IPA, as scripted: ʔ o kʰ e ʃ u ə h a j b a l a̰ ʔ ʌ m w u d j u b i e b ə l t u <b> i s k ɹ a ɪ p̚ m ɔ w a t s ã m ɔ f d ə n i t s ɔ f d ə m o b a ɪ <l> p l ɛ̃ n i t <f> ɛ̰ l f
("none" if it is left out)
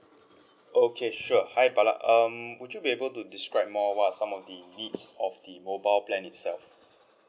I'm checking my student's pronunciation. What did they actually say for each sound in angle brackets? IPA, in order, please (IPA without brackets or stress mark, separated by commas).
d, l, s